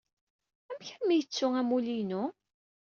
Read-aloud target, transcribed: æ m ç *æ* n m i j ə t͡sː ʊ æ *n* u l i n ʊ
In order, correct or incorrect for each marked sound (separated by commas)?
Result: correct, incorrect